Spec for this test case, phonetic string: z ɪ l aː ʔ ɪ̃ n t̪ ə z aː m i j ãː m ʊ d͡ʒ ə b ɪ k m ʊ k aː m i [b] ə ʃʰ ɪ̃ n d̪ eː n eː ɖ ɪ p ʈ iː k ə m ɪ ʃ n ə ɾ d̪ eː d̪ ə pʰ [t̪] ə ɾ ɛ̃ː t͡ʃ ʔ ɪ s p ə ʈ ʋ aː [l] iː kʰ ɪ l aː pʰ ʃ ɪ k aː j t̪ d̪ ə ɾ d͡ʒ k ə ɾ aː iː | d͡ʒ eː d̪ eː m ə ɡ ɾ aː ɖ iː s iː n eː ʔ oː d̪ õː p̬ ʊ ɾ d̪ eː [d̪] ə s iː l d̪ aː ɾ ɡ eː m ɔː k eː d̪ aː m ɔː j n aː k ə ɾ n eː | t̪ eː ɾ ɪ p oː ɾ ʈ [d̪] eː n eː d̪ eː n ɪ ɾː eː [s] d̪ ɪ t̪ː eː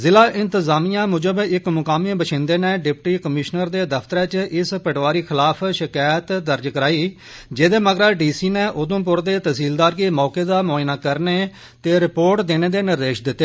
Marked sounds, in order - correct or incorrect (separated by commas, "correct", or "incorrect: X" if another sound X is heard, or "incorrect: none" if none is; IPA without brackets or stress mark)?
correct, correct, incorrect: ɾ, incorrect: t̪, correct, incorrect: ʃ